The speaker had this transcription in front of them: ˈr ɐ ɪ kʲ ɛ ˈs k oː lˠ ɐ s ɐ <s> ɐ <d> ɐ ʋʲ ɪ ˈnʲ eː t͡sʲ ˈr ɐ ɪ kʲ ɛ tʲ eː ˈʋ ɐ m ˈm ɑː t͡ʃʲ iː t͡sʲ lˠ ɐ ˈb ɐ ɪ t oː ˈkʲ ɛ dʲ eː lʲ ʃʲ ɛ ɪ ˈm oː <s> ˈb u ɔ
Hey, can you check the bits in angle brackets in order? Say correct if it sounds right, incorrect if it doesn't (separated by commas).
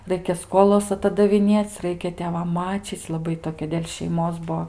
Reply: incorrect, correct, correct